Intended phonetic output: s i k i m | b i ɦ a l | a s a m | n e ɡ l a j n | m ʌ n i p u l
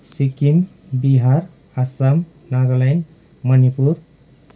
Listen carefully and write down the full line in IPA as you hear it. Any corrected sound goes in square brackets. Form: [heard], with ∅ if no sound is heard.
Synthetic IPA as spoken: s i k i m | b i ɦ a [ɾ] | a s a m | n [a] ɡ l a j n | m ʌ n i p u [ɾ]